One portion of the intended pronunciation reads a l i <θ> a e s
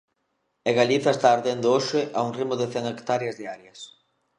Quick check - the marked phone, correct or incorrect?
correct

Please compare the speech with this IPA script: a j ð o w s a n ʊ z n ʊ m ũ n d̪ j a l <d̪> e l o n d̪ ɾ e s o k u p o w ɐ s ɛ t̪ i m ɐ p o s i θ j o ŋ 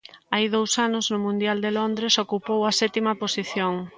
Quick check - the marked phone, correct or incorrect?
correct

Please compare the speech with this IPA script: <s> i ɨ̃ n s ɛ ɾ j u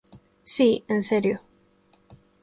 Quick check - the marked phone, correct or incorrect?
correct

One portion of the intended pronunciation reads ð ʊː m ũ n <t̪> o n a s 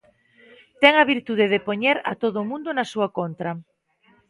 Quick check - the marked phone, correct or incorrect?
incorrect: d̪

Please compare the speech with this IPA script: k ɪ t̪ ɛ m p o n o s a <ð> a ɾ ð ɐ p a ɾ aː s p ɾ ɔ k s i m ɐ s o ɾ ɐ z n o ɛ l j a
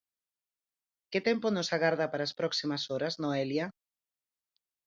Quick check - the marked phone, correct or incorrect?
incorrect: ɣ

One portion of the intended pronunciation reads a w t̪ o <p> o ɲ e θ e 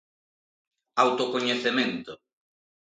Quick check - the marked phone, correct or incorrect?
incorrect: k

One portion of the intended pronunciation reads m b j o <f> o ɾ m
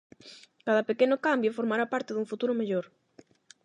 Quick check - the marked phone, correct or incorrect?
correct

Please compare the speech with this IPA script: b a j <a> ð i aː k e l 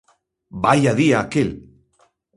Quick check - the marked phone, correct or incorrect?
correct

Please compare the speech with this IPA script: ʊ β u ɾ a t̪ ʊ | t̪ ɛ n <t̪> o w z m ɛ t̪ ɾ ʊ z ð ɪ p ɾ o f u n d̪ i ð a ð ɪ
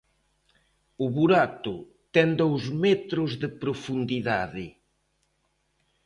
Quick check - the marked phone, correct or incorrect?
incorrect: d̪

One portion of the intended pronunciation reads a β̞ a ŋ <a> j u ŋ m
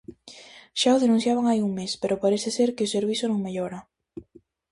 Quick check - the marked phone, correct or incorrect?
correct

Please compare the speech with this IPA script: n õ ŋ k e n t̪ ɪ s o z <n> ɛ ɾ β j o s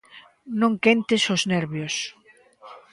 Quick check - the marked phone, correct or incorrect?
correct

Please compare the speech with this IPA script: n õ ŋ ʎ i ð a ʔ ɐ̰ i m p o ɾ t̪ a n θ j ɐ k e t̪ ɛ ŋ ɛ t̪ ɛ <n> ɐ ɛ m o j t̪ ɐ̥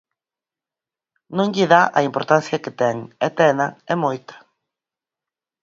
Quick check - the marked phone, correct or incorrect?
correct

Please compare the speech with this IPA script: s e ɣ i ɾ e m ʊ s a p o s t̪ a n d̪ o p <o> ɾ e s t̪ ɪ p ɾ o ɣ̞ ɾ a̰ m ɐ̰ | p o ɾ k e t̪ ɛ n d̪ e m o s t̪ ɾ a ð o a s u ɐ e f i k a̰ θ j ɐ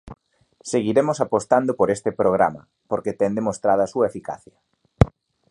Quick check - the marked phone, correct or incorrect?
correct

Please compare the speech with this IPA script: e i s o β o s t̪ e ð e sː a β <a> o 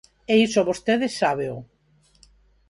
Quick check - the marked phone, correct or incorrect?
incorrect: e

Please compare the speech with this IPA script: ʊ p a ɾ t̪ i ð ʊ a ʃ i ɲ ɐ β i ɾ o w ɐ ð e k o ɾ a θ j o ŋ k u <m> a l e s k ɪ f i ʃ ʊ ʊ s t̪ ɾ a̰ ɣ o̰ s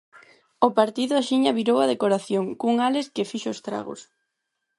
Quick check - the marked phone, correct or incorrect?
incorrect: ŋ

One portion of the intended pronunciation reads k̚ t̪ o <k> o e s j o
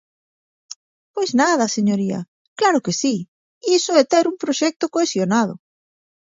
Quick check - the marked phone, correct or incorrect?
correct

